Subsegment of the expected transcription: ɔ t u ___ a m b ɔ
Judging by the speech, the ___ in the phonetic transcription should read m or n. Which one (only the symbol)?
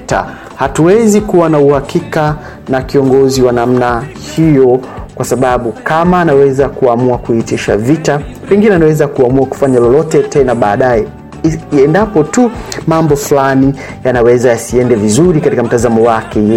m